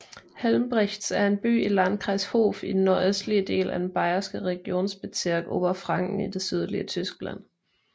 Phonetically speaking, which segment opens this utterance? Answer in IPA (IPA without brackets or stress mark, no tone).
h